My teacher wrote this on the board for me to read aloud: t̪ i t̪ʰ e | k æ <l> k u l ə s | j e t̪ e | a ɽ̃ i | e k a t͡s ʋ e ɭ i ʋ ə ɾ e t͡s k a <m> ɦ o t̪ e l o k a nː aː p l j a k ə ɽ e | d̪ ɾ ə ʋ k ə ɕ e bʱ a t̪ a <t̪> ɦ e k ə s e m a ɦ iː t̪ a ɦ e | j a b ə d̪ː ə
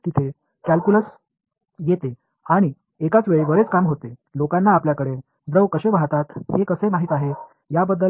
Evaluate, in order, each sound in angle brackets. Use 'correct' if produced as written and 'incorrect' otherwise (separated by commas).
correct, correct, correct